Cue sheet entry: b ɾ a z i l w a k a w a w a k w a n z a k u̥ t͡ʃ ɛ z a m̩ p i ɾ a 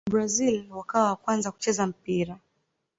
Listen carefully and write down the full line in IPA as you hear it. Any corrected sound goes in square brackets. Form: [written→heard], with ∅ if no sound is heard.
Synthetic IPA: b ɾ a z i l w a k a w a w a k w a n z a k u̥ t͡ʃ ɛ z a m̩ p i ɾ a